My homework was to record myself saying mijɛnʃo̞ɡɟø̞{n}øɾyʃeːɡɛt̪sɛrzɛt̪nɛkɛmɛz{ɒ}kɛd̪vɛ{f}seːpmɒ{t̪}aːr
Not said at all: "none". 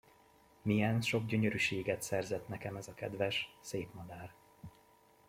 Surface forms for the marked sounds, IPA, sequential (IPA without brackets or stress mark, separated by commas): ɲ, ɒ, ʃ, d̪